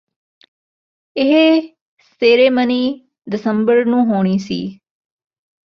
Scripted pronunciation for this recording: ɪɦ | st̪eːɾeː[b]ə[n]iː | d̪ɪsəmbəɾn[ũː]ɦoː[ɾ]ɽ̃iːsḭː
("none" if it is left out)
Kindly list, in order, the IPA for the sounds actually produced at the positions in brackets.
m, n, ũː, none

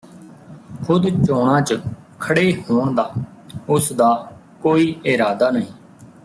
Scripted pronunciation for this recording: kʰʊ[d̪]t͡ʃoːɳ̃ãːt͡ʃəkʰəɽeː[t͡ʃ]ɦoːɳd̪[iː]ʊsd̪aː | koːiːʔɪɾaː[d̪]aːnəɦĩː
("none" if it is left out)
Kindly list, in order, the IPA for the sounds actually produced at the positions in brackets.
d̪, none, aː, d̪

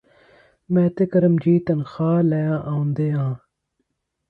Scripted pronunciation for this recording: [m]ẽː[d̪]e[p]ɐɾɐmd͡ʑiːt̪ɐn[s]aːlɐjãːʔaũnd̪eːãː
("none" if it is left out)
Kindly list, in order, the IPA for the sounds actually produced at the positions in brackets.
m, t̪, k, x

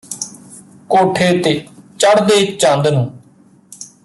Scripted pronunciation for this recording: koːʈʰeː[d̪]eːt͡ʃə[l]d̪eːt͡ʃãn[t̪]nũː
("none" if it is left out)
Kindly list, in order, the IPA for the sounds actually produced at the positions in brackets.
t̪, ɽ, d̪

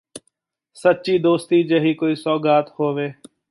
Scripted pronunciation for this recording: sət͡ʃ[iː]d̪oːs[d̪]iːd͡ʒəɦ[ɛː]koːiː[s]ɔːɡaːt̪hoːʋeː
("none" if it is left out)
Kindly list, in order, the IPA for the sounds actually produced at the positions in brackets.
iː, t̪, iː, s

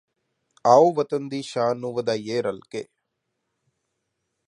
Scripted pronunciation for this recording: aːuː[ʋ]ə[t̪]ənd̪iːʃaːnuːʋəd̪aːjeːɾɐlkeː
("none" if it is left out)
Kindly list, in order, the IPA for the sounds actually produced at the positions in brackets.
ʋ, t̪

